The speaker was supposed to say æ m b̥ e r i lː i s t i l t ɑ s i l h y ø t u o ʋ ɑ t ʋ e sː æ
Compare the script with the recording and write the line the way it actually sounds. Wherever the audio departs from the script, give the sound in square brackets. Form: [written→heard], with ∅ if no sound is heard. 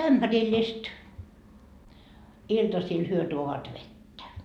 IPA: æ m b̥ [e→æ] r i lː i s t i l t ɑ s i l h y ø t u o ʋ ɑ t ʋ e [sː→tː] æ